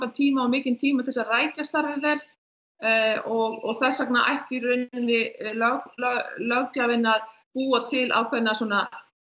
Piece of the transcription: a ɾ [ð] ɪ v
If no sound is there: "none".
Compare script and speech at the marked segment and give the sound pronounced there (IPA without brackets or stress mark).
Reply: v